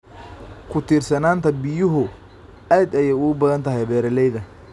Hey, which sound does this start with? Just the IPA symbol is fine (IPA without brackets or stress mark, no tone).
kʰ